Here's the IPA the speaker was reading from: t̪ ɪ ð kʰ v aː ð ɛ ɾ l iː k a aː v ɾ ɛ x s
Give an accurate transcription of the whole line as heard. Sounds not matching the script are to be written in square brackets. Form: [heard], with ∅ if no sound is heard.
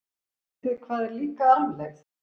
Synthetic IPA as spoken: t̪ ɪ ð kʰ v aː ð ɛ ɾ l iː k a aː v [l] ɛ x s